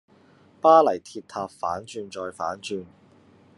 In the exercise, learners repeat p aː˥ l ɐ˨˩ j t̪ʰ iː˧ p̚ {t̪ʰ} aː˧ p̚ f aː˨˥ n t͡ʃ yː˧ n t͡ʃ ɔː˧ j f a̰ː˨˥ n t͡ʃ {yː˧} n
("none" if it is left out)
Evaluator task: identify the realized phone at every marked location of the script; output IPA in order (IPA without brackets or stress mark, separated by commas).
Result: t̪ʰ, yː˧